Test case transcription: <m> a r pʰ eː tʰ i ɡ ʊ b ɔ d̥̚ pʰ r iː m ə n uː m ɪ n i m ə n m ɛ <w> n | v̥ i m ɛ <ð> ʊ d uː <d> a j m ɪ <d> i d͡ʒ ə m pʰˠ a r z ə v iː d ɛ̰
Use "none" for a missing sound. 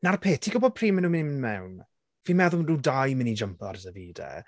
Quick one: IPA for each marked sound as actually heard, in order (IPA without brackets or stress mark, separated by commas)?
n, w, ð, d, n